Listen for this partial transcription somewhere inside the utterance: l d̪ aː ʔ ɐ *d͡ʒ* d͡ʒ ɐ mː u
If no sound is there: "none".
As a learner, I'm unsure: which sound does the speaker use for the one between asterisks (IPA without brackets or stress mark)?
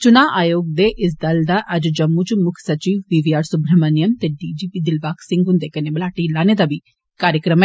d͡ʒ